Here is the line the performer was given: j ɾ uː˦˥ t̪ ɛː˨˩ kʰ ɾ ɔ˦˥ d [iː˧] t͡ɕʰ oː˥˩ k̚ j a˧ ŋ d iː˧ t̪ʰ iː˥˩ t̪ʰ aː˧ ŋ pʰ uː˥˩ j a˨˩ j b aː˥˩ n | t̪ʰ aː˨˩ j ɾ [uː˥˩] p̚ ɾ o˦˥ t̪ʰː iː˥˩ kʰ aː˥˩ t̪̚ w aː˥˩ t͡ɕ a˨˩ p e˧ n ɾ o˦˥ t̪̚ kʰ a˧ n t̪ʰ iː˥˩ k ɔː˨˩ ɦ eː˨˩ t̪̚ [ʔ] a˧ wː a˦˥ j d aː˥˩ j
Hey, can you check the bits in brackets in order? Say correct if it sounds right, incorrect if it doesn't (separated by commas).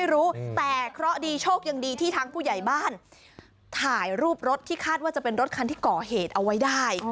correct, correct, correct